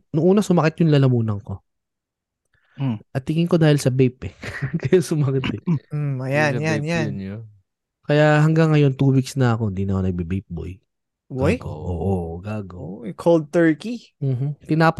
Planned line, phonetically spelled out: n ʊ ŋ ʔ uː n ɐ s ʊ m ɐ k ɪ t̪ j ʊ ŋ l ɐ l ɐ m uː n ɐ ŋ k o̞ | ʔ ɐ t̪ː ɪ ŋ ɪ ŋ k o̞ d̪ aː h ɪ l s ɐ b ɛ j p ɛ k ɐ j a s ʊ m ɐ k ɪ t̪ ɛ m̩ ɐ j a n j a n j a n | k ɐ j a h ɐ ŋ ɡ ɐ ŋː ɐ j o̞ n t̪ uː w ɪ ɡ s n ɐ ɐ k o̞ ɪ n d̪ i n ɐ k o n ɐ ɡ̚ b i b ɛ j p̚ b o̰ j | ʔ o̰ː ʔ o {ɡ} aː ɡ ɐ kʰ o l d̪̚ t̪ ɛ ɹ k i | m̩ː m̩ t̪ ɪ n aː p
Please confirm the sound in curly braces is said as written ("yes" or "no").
yes